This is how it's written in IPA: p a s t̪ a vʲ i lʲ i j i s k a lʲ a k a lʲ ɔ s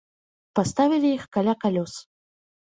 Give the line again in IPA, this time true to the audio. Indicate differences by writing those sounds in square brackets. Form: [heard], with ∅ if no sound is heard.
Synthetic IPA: p a s t̪ a vʲ i lʲ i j i [x] k a lʲ a k a lʲ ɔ s